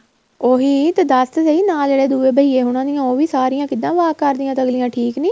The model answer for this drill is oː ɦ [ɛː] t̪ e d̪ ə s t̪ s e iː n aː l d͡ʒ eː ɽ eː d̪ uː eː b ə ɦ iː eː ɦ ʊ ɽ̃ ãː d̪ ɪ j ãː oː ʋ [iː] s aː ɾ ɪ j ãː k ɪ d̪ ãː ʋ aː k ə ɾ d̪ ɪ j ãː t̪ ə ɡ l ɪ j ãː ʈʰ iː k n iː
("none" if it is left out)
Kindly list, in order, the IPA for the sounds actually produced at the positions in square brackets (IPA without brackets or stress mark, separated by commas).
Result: iː, iː